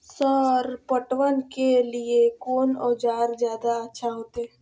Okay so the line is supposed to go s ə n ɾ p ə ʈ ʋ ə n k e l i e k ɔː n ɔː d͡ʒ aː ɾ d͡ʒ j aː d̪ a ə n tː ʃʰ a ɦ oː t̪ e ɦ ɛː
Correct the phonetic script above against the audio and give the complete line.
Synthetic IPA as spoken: s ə ɾ p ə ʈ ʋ ə n k e l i e k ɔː n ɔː d͡ʒ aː ɾ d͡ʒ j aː d̪ a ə tː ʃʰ a ɦ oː t̪ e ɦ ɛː